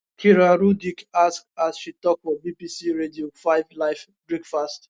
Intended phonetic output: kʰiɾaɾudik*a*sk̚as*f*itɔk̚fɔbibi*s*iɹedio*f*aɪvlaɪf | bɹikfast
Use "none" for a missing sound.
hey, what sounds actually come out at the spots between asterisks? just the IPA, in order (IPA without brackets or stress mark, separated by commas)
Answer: a, ʃ, s, f